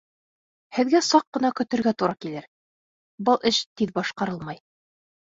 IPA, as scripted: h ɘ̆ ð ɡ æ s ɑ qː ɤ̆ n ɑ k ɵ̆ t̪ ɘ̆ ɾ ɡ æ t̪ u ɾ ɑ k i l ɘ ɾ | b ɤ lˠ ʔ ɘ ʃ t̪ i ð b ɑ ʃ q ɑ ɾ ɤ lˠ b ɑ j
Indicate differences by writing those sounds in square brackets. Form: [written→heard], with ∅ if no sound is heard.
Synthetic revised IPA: h ɘ̆ ð ɡ æ s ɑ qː ɤ̆ n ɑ k ɵ̆ t̪ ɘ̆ ɾ ɡ æ t̪ u ɾ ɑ k i l ɘ ɾ | b ɤ lˠ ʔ ɘ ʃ t̪ i ð b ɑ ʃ q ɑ ɾ ɤ lˠ [b→m] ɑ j